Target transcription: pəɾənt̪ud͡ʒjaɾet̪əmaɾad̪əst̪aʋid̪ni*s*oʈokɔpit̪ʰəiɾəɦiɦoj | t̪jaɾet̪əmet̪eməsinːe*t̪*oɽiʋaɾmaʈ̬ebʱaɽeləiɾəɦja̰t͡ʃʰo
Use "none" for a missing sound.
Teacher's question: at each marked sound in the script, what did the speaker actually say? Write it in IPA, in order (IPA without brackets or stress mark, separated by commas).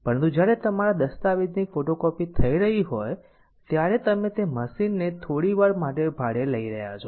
f, t̪ʰ